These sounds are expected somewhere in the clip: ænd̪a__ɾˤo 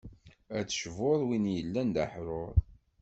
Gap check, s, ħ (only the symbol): ħ